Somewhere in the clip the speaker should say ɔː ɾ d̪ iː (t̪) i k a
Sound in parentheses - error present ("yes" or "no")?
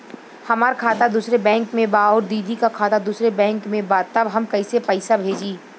yes